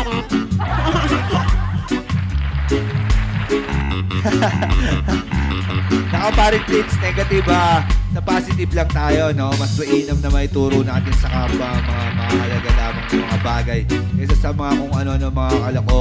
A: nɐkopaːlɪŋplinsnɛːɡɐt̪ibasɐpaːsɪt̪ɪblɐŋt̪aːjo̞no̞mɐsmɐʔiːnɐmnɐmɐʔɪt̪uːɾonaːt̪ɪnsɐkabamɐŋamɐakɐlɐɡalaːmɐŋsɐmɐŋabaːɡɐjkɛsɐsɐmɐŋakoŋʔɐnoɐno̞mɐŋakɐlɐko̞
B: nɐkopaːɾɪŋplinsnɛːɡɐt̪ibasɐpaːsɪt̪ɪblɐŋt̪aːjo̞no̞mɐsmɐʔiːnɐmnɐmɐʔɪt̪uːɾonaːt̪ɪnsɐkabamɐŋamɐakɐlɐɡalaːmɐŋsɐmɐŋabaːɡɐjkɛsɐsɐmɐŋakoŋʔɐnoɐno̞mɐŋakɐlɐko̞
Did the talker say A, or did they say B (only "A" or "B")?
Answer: B